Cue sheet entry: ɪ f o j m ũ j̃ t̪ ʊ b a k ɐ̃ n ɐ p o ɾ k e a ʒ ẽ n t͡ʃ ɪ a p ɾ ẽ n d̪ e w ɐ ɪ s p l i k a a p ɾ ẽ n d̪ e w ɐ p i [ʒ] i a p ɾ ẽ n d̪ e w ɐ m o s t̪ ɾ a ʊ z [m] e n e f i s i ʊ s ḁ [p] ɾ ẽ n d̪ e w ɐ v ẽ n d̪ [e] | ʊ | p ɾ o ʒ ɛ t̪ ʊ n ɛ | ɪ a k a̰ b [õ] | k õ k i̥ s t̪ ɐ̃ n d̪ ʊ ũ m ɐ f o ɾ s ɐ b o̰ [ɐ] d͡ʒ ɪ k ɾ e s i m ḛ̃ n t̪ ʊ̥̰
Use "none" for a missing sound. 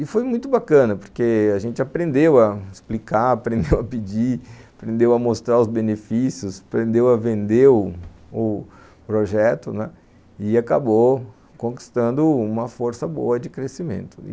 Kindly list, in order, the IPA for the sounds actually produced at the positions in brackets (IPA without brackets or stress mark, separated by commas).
d͡ʒ, b, p, e, o, ɐ